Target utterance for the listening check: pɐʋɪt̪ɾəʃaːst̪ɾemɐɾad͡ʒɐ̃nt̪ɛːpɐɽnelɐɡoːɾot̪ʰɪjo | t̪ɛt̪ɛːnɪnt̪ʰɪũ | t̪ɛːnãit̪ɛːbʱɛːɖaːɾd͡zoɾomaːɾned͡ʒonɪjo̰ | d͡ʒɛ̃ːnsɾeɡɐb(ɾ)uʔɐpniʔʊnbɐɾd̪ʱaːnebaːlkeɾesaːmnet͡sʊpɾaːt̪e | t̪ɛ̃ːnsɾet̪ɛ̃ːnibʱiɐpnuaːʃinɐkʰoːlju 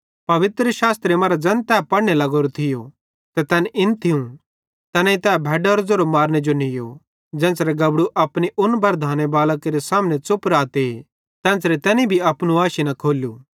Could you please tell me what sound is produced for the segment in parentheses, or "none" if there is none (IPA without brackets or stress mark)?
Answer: ɽ